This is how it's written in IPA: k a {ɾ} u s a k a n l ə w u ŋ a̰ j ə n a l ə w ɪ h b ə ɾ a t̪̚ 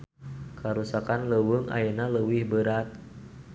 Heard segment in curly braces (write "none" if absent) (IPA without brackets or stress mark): ɾ